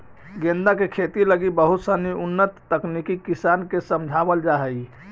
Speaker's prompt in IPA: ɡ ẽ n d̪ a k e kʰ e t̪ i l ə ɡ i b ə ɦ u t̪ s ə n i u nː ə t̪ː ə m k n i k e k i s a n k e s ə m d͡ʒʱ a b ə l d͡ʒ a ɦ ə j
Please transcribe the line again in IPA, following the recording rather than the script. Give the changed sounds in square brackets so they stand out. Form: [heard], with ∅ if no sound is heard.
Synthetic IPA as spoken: ɡ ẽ n d̪ a k e kʰ e t̪ i l ə ɡ i b ə ɦ u t̪ s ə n i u nː ə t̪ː ə [∅] k n i k [i] k i s a n k e s ə m d͡ʒʱ a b ə l d͡ʒ a ɦ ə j